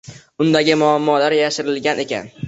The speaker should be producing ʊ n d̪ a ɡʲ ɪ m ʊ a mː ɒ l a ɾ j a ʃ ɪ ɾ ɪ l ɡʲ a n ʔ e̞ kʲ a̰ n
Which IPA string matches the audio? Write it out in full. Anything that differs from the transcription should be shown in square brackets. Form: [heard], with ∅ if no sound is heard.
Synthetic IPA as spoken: ʊ n d̪ a ɡʲ ɪ m ʊ a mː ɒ l a ɾ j a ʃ ɪ ɾ ɪ l ɡʲ a n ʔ e̞ kʲ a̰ n